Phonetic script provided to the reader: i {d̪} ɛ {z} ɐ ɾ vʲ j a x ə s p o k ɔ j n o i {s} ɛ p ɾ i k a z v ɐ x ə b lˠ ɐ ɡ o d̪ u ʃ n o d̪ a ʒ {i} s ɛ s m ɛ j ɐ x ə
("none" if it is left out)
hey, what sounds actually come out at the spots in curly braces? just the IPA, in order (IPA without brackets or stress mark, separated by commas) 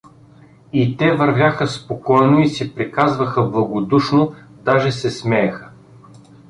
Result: t̪, v, s, ɛ